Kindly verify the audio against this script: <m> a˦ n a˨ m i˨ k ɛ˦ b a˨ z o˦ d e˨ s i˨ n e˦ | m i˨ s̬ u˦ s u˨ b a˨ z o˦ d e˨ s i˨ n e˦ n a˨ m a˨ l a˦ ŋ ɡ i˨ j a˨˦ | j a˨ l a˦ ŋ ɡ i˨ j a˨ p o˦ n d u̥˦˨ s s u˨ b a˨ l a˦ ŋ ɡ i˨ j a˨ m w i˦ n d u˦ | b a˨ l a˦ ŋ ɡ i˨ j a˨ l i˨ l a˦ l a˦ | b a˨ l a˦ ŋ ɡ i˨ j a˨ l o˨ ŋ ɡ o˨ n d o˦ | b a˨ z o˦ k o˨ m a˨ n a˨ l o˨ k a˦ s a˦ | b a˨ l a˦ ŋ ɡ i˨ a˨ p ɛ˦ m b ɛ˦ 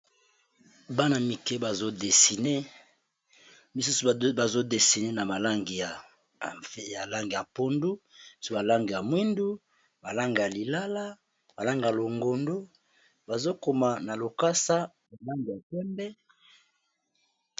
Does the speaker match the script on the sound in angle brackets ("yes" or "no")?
no